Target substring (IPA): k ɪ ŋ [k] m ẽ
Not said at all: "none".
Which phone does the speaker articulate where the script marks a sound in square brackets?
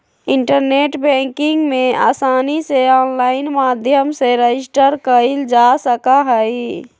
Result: ɡ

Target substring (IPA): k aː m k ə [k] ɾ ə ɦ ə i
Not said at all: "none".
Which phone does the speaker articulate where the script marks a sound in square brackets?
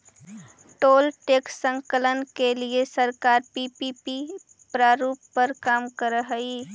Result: none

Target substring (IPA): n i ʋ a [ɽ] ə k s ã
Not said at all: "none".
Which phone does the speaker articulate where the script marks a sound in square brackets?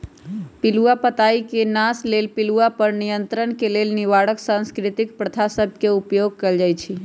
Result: ɽ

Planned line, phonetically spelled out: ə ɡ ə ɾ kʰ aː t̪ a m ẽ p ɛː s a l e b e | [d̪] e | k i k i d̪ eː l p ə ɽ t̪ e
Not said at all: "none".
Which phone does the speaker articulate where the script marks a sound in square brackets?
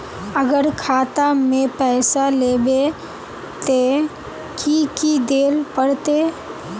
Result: t̪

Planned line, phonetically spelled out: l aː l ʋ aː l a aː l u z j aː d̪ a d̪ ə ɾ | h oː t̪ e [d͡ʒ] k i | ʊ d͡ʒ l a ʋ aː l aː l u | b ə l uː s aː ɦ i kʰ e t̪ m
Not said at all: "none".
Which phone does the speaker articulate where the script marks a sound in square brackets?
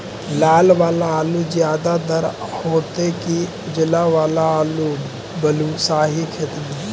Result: none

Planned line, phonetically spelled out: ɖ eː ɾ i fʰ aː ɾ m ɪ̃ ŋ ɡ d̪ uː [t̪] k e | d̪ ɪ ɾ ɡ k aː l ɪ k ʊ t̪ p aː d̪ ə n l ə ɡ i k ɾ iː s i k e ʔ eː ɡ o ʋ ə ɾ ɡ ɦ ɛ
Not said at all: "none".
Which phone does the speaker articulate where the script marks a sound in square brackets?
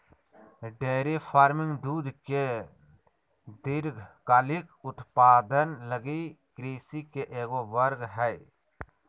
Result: d̪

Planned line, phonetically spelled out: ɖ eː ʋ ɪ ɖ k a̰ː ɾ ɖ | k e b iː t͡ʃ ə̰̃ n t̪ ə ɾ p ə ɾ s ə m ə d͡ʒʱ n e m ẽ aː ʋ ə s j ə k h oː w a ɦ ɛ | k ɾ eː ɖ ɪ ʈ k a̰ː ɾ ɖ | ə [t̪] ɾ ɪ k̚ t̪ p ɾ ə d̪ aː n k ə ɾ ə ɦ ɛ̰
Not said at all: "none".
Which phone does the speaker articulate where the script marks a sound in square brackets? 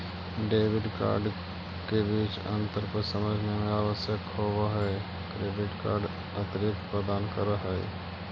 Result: t̪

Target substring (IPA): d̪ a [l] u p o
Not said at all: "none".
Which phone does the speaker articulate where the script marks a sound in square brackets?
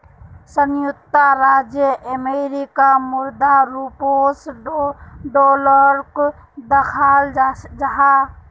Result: ɾ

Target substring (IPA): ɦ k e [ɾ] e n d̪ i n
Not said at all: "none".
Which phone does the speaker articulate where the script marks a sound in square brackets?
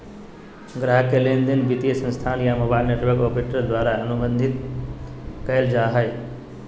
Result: l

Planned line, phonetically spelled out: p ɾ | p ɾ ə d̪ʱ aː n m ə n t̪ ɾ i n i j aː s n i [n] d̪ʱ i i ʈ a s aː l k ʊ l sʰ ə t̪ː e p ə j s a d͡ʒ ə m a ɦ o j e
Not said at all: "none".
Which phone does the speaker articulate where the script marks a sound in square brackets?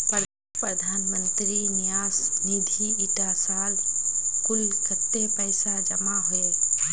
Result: none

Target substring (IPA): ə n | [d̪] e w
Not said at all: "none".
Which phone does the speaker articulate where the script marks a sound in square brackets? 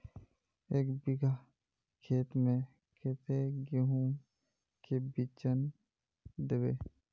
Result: d̪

